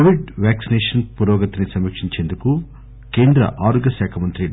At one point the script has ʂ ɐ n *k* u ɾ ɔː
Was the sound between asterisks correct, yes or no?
no